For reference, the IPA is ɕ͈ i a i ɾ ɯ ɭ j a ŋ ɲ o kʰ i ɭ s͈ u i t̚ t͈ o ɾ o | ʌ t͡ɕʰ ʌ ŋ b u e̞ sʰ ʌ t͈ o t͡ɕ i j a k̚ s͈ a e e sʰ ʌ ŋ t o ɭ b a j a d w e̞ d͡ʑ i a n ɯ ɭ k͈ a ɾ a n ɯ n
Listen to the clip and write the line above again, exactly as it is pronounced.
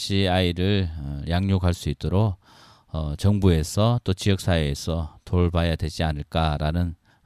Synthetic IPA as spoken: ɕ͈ i a i ɾ ɯ ɭ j a ŋ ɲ o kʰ a ɭ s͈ u i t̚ t͈ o ɾ o | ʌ t͡ɕ ʌ ŋ b u e̞ sʰ ʌ t͈ o t͡ɕ i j ʌ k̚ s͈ a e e sʰ ʌ t o ɭ b a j a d w e̞ d͡ʑ i a n ɯ ɭ k͈ a ɾ a n ɯ n